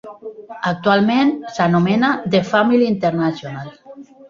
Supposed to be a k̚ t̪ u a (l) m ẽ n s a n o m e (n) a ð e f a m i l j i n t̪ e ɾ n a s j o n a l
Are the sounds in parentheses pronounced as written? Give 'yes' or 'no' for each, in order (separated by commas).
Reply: yes, yes